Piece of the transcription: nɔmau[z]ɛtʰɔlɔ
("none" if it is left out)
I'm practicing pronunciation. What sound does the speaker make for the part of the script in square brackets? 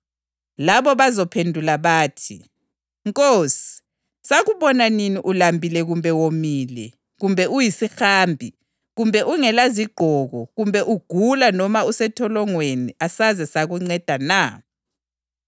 s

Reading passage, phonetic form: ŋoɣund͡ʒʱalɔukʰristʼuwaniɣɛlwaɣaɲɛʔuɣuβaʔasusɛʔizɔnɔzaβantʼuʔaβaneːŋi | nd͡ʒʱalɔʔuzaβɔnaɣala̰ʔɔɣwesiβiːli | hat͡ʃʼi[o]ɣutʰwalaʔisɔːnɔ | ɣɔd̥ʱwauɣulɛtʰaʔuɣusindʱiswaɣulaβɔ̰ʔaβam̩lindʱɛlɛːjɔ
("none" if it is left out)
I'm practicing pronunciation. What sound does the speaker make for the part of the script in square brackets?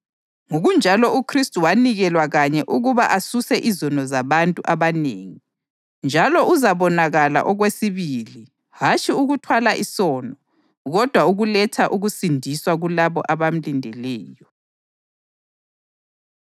u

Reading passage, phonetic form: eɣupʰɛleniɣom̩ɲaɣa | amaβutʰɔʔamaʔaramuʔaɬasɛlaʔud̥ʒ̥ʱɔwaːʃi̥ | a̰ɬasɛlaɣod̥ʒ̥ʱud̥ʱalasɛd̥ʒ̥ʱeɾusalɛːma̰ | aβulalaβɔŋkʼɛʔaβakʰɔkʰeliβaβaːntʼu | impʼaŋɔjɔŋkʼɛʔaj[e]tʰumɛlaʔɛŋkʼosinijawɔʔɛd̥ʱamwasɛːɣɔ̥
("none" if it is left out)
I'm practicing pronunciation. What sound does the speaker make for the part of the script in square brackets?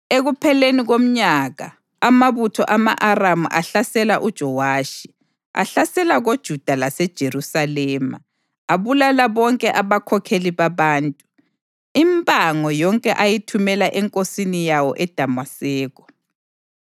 i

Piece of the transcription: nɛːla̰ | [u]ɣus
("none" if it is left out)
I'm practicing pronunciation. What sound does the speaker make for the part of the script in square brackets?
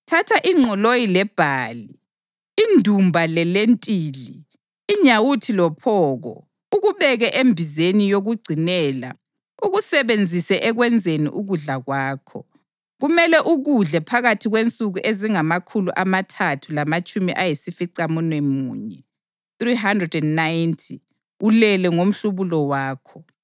u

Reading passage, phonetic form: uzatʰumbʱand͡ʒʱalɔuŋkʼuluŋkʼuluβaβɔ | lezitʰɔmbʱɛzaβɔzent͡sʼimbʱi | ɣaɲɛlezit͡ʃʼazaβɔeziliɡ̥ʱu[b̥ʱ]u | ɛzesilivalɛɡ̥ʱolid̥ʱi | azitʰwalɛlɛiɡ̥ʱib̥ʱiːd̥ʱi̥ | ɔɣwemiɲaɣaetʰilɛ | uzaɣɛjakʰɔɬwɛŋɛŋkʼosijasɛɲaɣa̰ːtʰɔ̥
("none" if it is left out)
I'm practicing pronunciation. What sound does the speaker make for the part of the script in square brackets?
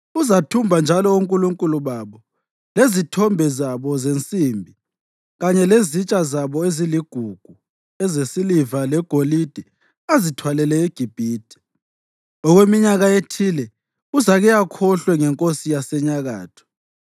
ɡ̥ʱ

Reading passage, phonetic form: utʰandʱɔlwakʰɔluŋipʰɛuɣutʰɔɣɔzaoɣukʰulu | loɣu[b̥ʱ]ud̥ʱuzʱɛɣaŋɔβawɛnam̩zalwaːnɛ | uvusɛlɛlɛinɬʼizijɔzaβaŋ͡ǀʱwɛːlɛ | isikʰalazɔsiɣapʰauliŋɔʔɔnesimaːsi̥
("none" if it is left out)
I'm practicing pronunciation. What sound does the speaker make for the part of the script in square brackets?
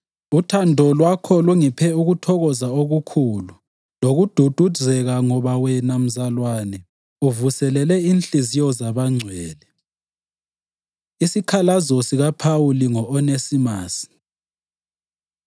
d̥ʱ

